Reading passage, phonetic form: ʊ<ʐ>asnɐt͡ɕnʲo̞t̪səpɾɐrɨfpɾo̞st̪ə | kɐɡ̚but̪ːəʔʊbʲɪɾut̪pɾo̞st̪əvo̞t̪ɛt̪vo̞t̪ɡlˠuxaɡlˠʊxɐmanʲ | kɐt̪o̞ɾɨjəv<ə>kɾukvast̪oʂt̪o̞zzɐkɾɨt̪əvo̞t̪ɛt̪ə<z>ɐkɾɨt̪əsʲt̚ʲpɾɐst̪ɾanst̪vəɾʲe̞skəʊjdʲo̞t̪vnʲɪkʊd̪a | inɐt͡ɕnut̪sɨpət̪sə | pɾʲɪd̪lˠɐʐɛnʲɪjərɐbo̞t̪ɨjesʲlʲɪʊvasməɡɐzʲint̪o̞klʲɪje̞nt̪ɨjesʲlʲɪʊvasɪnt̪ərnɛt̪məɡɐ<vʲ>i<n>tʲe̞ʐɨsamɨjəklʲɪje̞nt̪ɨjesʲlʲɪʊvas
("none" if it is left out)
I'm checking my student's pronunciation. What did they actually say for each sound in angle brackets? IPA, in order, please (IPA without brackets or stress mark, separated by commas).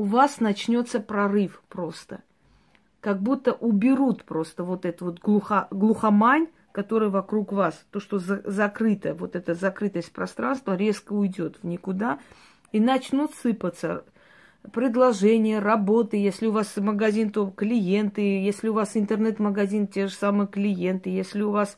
v, ɐ, z, zʲ, n